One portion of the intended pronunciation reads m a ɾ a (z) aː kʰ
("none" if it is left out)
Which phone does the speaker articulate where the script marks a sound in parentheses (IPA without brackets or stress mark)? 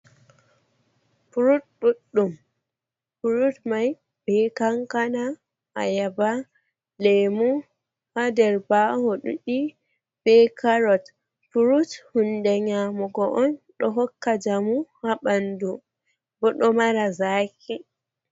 z